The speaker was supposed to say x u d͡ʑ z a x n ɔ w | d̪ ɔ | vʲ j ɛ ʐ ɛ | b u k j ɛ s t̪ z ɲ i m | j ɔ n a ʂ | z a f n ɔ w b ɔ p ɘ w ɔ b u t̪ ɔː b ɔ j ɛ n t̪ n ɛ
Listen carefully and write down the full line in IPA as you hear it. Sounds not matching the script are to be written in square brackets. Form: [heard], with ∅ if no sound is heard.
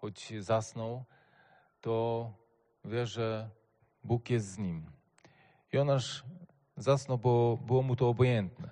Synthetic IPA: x [ɔ] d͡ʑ z a [s] n ɔ w | [t̪] ɔ | vʲ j ɛ ʐ ɛ | b u k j ɛ s t̪ z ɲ i m | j ɔ n a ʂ | z a [s] n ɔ w b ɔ [b] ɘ w ɔ [m] u t̪ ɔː b ɔ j ɛ n t̪ n ɛ